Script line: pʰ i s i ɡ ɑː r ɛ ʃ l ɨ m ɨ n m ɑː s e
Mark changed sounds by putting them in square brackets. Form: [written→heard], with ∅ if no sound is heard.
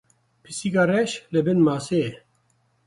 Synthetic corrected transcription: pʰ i s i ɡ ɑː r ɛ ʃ l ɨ [m→b] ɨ n m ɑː s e